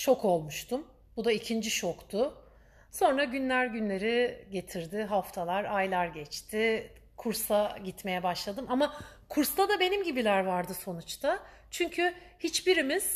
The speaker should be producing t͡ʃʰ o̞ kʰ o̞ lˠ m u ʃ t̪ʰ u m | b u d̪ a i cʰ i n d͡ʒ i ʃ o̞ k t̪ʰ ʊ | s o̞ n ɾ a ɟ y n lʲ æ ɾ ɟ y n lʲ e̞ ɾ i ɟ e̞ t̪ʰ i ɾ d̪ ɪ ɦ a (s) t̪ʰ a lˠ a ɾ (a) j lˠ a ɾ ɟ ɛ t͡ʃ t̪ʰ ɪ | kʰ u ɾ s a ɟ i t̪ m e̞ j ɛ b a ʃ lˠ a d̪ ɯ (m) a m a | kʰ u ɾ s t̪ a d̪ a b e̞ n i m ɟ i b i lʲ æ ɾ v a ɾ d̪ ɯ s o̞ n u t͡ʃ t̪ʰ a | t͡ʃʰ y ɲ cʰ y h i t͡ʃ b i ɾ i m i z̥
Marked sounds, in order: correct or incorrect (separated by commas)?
incorrect, correct, correct